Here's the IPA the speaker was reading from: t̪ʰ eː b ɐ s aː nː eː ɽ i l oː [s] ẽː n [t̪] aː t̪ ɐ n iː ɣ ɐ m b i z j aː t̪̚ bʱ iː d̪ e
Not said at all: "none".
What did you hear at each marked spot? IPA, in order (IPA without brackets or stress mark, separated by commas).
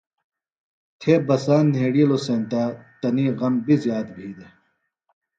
s, t̪